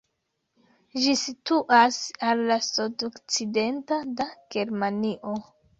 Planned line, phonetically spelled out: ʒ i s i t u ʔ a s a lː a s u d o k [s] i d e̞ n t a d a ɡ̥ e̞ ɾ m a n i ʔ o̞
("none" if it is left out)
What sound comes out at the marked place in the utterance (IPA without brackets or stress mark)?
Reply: t͡s